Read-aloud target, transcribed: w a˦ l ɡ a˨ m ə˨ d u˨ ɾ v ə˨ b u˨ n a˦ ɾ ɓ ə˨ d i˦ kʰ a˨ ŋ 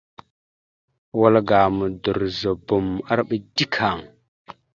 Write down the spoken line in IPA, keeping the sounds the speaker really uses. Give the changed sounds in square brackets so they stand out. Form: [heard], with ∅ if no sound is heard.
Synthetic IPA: w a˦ l ɡ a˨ m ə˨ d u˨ ɾ [z] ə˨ b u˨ [m] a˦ ɾ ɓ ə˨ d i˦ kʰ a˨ ŋ